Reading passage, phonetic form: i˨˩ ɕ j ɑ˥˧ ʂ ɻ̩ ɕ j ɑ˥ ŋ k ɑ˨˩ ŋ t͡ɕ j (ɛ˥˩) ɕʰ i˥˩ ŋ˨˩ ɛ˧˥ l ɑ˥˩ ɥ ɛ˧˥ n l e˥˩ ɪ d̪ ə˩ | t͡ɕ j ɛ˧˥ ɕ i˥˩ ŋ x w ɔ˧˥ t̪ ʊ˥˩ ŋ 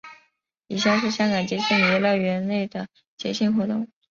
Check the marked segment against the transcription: incorrect: ɛ˧˥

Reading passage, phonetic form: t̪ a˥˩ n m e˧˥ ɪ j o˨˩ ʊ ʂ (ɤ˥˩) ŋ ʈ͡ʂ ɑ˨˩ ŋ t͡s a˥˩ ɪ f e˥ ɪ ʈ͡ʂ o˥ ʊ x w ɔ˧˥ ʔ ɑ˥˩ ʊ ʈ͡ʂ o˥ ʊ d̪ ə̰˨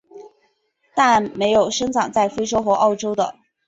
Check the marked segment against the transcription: incorrect: ɤ˥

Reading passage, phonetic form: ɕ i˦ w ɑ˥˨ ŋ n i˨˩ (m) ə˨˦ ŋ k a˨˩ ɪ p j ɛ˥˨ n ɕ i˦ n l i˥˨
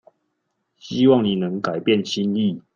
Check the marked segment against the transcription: incorrect: n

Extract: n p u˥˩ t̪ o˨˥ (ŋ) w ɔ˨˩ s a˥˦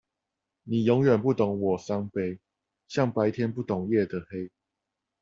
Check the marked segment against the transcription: correct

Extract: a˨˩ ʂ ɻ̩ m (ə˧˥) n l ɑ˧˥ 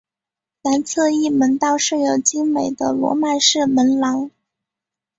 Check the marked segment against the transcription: correct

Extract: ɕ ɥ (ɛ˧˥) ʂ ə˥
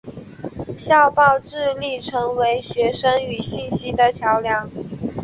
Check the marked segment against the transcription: correct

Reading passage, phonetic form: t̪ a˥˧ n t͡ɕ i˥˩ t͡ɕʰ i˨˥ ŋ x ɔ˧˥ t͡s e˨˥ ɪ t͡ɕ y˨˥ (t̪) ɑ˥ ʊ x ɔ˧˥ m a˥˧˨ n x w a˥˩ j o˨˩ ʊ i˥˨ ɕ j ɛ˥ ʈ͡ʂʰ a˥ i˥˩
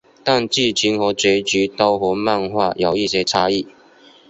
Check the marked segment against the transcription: correct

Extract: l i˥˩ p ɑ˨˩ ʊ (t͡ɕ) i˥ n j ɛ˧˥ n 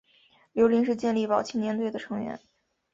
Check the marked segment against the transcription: incorrect: t͡ɕʰ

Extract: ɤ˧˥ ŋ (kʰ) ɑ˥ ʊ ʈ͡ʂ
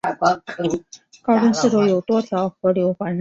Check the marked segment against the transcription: incorrect: k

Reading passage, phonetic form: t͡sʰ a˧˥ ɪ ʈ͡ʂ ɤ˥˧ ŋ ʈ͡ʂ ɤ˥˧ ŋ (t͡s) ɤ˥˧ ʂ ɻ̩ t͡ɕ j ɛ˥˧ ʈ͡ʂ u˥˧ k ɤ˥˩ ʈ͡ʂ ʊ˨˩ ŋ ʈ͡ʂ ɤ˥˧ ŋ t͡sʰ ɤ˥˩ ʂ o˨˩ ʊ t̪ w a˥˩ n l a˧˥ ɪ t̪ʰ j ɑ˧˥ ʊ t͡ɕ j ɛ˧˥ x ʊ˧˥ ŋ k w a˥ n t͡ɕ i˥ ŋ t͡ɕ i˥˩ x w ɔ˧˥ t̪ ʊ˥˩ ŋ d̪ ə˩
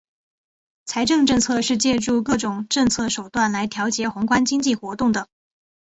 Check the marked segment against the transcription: incorrect: t͡sʰ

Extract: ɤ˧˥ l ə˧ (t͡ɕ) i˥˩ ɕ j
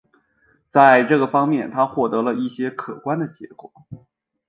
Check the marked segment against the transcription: incorrect: none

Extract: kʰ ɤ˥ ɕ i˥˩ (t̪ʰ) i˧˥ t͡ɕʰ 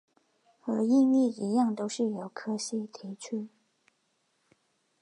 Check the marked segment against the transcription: correct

